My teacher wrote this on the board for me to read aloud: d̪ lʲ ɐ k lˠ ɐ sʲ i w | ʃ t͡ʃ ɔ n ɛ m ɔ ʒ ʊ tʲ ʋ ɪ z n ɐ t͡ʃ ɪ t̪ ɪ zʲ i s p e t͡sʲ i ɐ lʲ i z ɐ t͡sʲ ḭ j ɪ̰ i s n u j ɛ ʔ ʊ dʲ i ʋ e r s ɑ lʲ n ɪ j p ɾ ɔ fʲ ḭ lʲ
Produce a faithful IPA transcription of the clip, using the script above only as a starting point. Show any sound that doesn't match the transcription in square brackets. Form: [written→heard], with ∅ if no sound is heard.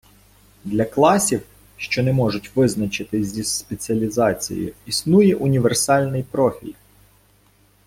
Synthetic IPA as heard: d̪ lʲ ɐ k lˠ [ɐ→ɑ] sʲ i w | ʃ t͡ʃ ɔ n ɛ m ɔ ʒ ʊ tʲ ʋ ɪ z n ɐ t͡ʃ ɪ t̪ ɪ zʲ i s p e t͡sʲ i ɐ lʲ i z [ɐ→ɑ] t͡sʲ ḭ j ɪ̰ i s n u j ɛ ʔ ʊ [dʲ→nʲ] i ʋ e r s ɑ lʲ n ɪ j p ɾ ɔ fʲ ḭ lʲ

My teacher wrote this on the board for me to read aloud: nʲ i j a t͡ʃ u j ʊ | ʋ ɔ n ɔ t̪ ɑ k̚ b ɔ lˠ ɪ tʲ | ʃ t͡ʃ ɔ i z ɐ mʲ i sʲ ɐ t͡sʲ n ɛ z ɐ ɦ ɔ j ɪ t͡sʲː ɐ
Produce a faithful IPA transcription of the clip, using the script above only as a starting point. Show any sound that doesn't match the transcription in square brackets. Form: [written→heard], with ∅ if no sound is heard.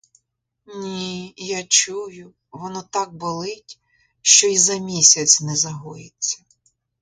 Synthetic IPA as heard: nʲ i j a t͡ʃ u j ʊ | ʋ ɔ n ɔ t̪ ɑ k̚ b ɔ lˠ ɪ tʲ | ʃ t͡ʃ ɔ i z ɐ mʲ i sʲ ɐ t͡sʲ n ɛ z ɐ ɦ ɔ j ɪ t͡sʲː ɐ

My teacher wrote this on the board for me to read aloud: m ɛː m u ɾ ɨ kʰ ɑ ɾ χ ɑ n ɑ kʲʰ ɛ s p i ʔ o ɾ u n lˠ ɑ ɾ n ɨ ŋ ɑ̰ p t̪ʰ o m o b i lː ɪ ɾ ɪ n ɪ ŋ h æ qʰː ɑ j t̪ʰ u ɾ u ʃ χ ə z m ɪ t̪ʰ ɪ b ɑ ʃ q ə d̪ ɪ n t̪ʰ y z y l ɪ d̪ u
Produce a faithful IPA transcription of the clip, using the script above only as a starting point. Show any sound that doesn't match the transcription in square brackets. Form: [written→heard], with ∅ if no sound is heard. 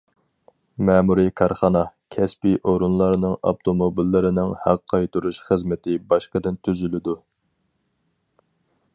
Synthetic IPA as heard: m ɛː m u ɾ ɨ kʰ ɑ ɾ χ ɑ n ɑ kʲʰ ɛ s p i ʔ o ɾ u n lˠ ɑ ɾ n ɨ ŋ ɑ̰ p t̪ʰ o m o b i lː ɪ ɾ ɪ n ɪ ŋ h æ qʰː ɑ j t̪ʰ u ɾ u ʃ χ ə z m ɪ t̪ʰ ɪ b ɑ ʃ q ə d̪ ɪ n t̪ʰ y z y l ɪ d̪ u

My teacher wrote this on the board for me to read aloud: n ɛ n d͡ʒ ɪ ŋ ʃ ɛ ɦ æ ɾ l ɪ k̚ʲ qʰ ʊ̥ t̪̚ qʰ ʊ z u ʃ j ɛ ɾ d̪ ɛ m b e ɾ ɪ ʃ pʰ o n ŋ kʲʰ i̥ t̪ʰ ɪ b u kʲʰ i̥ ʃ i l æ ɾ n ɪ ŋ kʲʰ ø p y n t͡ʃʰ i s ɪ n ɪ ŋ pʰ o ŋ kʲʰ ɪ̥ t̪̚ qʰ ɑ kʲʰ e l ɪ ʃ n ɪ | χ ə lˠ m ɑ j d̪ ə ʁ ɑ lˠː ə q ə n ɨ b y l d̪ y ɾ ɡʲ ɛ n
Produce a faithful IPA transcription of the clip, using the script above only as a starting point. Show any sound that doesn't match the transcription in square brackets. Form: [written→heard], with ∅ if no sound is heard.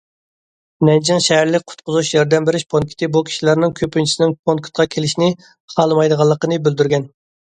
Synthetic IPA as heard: n ɛ n d͡ʒ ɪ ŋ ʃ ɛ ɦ æ ɾ l ɪ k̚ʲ qʰ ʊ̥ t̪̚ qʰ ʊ z u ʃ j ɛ ɾ d̪ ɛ m b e ɾ ɪ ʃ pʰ o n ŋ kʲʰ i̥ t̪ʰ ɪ b u kʲʰ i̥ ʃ i l æ ɾ n ɪ ŋ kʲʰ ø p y n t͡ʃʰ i s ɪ n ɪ ŋ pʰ o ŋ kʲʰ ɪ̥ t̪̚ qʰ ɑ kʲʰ e l ɪ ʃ n ɪ | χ [ə→ɑ] lˠ m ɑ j d̪ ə ʁ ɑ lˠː ə q ə n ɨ b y l d̪ y ɾ ɡʲ ɛ n

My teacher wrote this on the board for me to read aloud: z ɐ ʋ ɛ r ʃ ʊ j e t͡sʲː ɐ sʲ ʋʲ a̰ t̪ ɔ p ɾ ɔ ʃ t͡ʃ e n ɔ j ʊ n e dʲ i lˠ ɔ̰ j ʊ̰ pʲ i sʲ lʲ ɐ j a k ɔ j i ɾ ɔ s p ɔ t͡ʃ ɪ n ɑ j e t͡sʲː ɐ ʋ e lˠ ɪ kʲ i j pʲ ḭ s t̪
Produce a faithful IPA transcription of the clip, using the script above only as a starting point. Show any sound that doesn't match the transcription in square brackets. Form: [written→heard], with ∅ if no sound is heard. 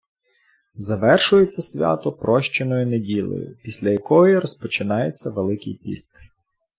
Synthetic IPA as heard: z ɐ ʋ ɛ r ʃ ʊ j e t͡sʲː ɐ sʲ ʋʲ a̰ t̪ ɔ p ɾ ɔ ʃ t͡ʃ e n ɔ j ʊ n e dʲ i lˠ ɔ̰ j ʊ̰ pʲ i sʲ lʲ ɐ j [a→ɐ] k ɔ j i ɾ ɔ s p ɔ t͡ʃ ɪ n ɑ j e t͡sʲː ɐ ʋ e lˠ ɪ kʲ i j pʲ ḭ s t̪

